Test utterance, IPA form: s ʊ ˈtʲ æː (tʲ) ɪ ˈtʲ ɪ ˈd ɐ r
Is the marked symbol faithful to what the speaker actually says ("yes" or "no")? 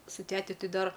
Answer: yes